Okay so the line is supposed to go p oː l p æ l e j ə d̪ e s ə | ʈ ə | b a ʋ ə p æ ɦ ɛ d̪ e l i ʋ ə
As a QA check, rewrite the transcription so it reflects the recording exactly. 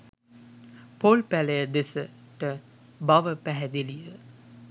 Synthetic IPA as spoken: p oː l p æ l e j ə d̪ e s ə | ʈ ə | b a ʋ ə p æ ɦ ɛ d̪ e l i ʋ ə

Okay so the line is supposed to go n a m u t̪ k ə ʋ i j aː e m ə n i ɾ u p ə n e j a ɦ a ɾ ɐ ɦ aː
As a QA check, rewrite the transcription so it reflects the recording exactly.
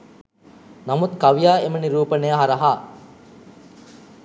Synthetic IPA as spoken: n a m u t̪ k a ʋ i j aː e m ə n i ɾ uː p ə n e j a ɦ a ɾ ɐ ɦ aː

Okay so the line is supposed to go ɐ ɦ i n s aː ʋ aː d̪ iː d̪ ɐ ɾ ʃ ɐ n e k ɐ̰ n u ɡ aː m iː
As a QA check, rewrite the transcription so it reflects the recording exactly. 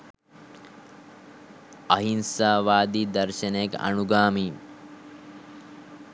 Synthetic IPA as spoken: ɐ ɦ i n s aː ʋ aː d̪ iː d̪ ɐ ɾ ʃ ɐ n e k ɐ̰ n u ɡ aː m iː

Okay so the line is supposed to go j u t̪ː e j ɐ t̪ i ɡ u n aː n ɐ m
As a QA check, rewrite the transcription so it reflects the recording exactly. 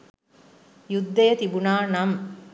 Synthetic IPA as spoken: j u d̪ː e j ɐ t̪ i b u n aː n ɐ m

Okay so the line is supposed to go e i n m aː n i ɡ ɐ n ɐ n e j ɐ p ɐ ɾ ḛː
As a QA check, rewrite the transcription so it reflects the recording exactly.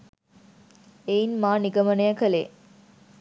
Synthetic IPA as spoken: e i n m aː n i ɡ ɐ m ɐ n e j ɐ k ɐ l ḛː

